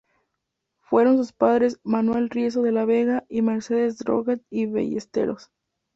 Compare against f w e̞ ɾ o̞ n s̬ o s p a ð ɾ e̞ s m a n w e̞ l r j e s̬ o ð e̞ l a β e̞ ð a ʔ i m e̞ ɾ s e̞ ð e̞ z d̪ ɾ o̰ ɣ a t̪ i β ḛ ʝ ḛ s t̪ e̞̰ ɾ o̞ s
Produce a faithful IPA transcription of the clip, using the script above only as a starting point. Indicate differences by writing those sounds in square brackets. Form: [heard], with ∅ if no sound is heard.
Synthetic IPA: f w e̞ ɾ o̞ n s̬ [u] s p a ð ɾ e̞ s m a n w e̞ l r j e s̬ o ð e̞ l a β e̞ [ɣ] a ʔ i m e̞ ɾ s e̞ ð e̞ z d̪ ɾ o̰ ɣ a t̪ i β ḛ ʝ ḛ s t̪ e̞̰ ɾ o̞ s